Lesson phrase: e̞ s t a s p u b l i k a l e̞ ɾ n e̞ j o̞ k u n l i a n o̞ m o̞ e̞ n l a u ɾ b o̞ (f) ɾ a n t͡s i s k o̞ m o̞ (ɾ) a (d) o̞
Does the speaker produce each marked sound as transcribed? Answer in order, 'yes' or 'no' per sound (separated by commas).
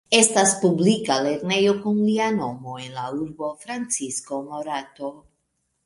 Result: yes, yes, no